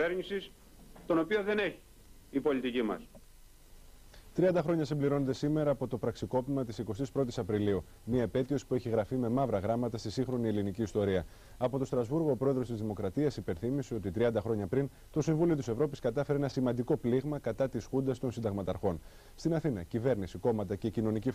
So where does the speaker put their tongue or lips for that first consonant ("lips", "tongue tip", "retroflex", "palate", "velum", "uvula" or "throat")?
tongue tip